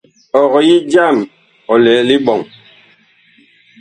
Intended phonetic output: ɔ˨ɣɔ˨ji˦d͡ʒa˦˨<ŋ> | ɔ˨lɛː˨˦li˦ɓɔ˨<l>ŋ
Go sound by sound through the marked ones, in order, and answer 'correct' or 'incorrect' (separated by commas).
incorrect, incorrect